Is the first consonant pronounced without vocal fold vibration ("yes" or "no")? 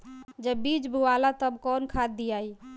no